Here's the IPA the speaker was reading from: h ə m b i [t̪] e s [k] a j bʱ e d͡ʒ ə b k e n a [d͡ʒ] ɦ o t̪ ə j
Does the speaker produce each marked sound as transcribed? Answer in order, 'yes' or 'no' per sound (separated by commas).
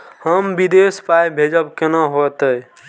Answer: no, no, no